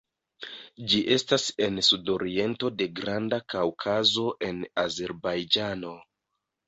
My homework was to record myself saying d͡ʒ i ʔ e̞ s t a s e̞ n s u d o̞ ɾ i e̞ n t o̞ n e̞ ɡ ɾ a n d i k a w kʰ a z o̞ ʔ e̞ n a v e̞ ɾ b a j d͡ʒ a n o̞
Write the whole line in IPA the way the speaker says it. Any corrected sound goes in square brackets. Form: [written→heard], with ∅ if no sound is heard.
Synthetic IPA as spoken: d͡ʒ i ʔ e̞ s t a s e̞ n s u d o̞ ɾ i e̞ n t o̞ [n→d] e̞ ɡ ɾ a n d [i→a] k a w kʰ a z o̞ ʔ e̞ n a [v→z] e̞ ɾ b a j d͡ʒ a n o̞